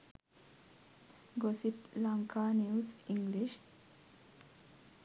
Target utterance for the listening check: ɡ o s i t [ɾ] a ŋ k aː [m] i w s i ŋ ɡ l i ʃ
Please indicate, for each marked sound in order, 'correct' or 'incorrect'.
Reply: incorrect, incorrect

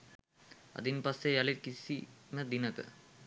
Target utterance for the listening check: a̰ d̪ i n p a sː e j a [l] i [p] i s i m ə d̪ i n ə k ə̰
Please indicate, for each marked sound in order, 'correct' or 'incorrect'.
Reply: correct, incorrect

